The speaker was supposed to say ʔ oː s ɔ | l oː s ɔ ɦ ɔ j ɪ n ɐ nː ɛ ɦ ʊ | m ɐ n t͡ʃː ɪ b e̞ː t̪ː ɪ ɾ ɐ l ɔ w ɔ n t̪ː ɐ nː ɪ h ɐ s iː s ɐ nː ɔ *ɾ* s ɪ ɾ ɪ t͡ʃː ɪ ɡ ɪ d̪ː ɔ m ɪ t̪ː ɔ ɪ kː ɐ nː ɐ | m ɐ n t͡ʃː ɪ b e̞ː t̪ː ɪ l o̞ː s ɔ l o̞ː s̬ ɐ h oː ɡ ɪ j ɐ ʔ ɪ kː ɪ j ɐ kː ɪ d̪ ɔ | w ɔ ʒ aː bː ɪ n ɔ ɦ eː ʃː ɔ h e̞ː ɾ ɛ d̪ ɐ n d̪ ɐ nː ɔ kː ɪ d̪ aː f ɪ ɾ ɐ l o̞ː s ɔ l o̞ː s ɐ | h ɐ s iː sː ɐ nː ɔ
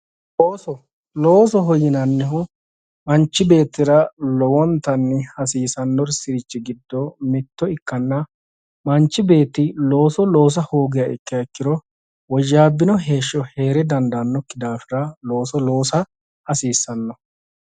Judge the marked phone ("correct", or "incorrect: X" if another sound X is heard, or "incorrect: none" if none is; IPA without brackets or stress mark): correct